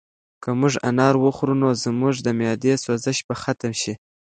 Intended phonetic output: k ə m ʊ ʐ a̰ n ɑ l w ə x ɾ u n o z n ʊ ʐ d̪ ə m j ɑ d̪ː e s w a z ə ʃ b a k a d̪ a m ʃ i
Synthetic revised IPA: k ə m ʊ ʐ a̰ n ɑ ɾ w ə x ɾ u n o z m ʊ ʐ d̪ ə m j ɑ d̪ e s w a z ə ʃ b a x a t̪ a m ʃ i